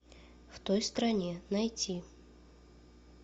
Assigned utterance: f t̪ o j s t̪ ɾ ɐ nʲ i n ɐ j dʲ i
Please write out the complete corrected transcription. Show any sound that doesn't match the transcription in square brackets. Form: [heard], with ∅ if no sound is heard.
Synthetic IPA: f t̪ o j s t̪ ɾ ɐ nʲ [e] n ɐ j [tʲ] i